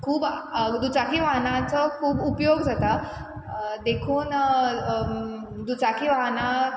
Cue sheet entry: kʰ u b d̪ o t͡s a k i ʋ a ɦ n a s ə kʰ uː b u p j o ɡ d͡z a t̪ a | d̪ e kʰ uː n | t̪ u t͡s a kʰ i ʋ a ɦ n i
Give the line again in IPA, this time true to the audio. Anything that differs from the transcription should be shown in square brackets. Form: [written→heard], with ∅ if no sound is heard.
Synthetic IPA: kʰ [u→uː] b d̪ [o→u] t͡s a k i ʋ a ɦ n a [s→t͡s] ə kʰ uː b u p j o ɡ d͡z a t̪ a | d̪ e kʰ uː n | [t̪→d̪] u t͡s a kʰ i ʋ a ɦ n [i→a]